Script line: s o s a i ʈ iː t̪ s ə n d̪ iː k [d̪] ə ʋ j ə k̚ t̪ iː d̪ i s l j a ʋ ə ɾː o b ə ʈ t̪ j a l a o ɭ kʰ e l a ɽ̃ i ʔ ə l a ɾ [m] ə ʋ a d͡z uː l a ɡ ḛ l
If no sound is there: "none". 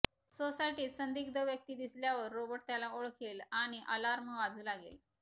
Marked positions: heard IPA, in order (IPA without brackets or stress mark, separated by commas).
d̪, m